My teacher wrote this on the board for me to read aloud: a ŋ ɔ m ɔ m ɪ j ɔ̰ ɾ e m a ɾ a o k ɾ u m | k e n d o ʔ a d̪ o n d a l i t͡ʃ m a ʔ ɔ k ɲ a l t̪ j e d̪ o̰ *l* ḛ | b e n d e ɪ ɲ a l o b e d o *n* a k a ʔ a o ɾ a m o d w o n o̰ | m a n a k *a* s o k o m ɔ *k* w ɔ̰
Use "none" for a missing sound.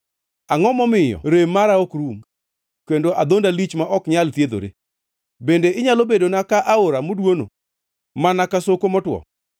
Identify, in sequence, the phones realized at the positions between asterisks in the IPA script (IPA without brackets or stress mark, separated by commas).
ɾ, n, a, t